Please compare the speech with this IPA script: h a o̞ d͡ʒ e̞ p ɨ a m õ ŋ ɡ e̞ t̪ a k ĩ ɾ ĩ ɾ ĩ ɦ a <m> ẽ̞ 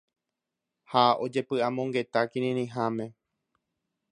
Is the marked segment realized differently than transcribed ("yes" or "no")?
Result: no